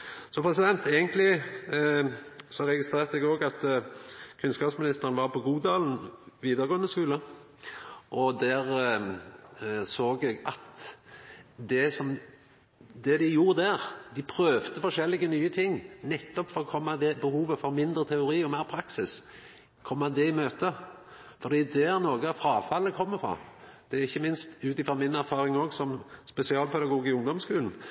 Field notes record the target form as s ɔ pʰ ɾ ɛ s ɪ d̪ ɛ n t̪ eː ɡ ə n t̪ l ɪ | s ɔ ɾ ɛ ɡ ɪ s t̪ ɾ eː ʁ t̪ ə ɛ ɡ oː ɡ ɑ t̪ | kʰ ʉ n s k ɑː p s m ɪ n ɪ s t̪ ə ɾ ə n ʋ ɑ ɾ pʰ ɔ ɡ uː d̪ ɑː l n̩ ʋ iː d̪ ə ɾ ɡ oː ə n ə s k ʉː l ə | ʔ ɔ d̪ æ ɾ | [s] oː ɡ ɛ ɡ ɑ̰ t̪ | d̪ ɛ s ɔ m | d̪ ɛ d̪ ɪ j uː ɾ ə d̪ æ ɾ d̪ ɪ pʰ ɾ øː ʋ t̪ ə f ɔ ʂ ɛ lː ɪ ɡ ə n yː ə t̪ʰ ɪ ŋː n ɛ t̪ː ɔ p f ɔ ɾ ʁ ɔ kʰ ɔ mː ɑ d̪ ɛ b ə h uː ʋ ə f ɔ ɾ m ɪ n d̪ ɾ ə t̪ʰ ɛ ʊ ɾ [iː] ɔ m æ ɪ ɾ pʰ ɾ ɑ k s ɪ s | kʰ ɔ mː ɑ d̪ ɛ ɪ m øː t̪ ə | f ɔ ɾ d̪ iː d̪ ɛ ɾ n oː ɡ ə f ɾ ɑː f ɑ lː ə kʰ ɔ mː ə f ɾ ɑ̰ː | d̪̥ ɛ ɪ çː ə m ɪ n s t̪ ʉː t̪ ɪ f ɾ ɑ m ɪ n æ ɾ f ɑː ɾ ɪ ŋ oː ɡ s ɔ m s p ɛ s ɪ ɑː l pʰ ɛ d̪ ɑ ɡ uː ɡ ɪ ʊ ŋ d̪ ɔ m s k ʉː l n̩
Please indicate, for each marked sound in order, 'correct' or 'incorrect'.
correct, correct

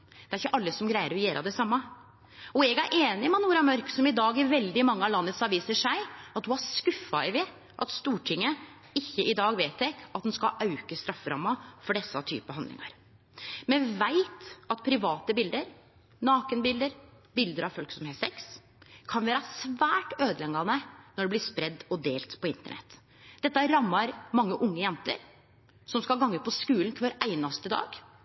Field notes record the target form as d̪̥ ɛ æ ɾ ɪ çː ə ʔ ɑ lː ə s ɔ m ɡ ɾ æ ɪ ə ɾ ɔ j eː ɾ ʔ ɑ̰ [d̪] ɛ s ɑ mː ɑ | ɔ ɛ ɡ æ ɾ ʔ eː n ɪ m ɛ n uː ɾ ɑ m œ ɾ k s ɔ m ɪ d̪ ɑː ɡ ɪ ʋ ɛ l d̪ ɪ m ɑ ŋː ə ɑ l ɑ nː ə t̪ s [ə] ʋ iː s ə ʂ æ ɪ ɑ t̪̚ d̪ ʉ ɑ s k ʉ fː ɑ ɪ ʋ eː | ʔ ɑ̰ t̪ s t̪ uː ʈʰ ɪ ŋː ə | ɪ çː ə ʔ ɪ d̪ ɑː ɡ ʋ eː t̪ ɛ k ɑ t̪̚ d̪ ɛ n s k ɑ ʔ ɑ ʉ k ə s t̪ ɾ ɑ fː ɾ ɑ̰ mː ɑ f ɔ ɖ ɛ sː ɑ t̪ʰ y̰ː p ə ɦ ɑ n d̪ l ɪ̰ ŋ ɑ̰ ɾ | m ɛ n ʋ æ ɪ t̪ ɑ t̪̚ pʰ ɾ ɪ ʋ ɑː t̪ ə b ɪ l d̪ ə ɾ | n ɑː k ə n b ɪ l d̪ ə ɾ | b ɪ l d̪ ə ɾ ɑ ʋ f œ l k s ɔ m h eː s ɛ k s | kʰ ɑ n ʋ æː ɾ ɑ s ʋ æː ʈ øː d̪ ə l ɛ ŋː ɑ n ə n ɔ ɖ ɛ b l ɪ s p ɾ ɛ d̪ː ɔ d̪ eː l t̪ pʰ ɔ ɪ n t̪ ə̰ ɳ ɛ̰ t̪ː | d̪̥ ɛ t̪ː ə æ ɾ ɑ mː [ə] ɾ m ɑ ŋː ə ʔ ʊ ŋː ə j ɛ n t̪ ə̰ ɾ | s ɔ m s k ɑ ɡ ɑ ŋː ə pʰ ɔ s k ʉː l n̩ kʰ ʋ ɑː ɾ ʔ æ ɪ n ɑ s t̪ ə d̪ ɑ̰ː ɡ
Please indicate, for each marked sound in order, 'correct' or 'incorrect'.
correct, incorrect: ɑ, incorrect: ɑ

